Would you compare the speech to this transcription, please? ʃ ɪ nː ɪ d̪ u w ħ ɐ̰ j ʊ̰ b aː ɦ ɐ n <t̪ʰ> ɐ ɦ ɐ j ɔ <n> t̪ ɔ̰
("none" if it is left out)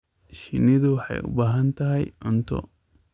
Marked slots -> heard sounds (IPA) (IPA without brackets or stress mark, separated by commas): t̪, n